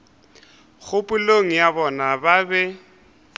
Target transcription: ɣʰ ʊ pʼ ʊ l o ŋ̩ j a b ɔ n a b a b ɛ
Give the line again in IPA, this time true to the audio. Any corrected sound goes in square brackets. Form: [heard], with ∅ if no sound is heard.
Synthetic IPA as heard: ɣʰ ʊ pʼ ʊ l o ŋ̩ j a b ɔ n a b a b ɛ